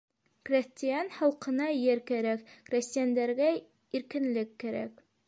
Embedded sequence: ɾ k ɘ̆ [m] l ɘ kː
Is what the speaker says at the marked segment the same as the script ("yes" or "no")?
no